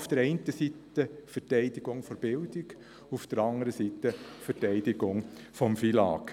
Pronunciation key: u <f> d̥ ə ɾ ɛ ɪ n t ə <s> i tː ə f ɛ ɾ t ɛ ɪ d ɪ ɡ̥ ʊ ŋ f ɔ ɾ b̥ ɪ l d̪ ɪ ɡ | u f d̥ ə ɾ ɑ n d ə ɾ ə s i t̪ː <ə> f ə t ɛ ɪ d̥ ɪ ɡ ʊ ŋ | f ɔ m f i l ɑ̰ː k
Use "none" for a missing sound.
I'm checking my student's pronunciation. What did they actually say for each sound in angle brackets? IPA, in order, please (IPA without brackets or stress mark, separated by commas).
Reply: f, s, ə